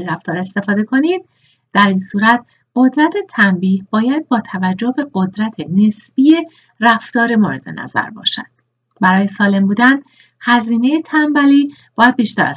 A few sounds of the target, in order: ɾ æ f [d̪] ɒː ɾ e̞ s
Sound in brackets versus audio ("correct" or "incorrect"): incorrect